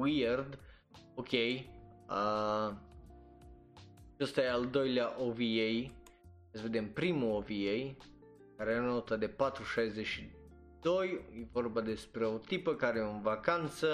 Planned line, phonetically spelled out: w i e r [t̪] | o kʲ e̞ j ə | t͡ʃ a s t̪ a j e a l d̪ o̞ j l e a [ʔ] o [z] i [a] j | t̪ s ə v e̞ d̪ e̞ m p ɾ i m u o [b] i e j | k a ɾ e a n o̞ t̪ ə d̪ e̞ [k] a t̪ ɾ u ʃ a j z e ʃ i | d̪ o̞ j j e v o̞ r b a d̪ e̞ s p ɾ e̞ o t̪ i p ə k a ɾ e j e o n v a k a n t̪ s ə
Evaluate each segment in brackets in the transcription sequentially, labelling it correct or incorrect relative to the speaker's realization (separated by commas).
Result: incorrect, correct, incorrect, incorrect, incorrect, incorrect